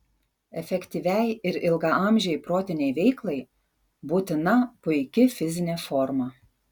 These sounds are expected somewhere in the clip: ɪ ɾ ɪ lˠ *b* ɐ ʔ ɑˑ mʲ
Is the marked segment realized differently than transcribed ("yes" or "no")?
yes